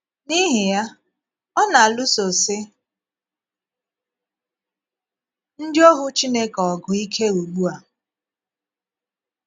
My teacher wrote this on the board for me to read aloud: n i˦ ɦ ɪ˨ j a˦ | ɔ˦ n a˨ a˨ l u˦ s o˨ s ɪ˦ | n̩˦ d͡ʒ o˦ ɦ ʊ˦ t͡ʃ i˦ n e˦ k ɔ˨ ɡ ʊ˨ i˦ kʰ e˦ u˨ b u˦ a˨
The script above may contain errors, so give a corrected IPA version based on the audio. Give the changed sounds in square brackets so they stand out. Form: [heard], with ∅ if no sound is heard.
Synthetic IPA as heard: n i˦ ɦ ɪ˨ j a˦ | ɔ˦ n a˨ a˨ l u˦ s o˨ s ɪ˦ | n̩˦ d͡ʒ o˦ ɦ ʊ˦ t͡ʃ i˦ n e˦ k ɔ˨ ɡ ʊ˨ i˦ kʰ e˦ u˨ [ɡ͡b] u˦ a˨